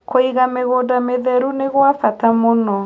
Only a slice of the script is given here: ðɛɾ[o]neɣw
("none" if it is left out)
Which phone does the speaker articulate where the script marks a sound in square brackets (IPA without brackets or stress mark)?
u